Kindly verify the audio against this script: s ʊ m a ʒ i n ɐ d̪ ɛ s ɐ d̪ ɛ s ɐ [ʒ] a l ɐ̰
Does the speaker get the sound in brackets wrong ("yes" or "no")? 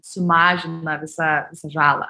no